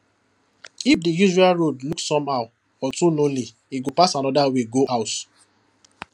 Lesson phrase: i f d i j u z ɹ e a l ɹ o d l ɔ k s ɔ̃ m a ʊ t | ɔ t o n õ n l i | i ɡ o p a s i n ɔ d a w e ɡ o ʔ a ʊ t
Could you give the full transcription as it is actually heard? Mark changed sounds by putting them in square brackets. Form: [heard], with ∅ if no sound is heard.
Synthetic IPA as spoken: i f d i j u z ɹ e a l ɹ o d l [u] k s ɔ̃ m a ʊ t | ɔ t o n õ n l i | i ɡ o p a s [a] n ɔ d a w e ɡ o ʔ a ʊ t